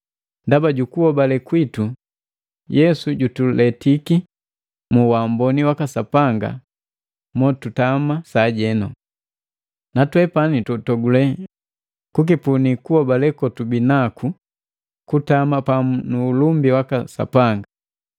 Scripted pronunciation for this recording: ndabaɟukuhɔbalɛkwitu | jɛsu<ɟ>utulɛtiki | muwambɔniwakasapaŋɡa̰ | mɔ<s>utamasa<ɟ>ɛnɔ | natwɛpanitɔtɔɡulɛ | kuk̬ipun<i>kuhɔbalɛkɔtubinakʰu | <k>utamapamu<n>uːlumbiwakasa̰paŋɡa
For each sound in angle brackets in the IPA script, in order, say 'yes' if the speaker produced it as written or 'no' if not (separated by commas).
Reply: yes, no, yes, yes, yes, yes